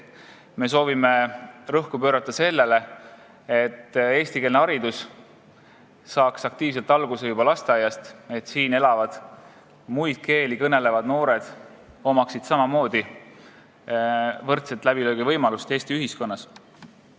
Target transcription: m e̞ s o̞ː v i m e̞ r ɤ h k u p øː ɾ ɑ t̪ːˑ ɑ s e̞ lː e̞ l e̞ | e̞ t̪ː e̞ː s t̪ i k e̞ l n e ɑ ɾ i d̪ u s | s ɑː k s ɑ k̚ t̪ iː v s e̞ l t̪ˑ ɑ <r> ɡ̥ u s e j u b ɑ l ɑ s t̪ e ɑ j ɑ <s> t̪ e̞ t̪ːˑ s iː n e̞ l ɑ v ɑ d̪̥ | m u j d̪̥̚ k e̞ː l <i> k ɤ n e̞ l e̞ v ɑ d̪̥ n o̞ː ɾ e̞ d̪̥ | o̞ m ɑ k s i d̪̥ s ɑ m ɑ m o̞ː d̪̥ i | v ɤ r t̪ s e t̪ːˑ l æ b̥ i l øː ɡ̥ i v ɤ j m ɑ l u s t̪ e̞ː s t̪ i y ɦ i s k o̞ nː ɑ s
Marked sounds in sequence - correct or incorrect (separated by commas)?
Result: incorrect, correct, correct